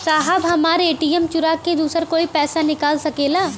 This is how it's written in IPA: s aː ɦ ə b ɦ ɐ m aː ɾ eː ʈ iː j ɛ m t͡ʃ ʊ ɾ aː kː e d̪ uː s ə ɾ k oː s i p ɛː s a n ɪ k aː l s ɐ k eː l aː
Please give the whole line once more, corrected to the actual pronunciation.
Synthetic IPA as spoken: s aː ɦ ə b ɦ ɐ m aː ɾ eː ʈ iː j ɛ m t͡ʃ ʊ ɾ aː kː e d̪ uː s ə ɾ k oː i p ɛː s a n ɪ k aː l s ɐ k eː l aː